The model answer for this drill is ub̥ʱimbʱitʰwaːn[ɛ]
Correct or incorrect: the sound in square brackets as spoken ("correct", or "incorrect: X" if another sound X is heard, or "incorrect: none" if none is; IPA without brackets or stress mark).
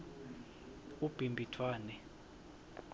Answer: correct